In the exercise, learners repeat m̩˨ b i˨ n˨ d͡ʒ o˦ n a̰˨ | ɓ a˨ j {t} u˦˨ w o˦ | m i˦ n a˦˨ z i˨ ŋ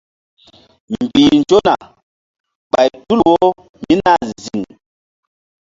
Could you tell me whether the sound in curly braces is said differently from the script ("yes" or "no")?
no